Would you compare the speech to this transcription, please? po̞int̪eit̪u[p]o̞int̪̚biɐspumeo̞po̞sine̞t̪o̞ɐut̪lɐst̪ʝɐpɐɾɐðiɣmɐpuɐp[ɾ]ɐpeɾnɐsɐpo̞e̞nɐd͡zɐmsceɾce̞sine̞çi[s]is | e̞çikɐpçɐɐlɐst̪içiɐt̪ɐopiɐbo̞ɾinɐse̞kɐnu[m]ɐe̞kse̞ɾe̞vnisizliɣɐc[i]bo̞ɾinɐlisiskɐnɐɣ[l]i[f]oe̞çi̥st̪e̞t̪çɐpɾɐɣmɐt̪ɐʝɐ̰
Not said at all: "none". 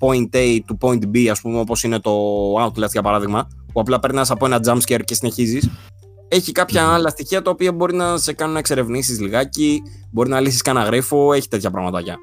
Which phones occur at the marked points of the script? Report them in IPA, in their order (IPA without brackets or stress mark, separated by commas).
p, l, z, n, i, ɾ, f